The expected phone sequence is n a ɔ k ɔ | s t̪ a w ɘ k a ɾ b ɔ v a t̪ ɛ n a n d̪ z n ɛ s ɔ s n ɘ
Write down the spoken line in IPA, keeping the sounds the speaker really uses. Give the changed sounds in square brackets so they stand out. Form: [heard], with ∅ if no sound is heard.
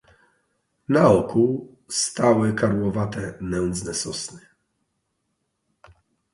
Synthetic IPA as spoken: n a ɔ k [u] | s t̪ a w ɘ k a ɾ [w] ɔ v a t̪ ɛ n [ɛ] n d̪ z n ɛ s ɔ s n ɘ